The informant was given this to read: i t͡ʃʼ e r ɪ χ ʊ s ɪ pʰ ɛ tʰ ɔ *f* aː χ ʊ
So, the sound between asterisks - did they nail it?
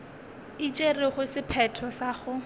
no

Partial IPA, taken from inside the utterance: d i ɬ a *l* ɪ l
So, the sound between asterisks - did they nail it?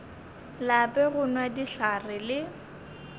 no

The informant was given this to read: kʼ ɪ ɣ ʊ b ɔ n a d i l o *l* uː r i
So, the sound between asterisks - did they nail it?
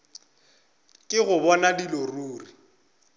no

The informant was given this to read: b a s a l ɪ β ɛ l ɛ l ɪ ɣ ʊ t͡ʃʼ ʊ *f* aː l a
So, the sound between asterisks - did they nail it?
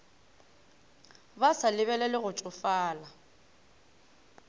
yes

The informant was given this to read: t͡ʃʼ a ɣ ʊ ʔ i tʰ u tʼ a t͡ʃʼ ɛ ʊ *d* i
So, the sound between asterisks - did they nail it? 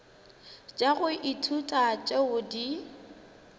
yes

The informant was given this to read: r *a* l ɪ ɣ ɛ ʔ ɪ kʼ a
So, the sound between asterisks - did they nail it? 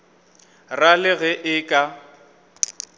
yes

